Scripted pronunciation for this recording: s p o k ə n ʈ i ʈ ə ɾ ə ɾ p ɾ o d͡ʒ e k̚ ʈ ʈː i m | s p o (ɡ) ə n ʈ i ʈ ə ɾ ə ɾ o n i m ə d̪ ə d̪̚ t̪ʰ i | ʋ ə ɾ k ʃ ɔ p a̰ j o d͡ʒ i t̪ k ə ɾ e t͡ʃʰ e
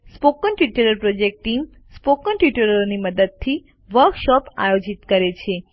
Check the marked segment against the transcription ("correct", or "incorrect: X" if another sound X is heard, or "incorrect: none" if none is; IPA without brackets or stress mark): incorrect: k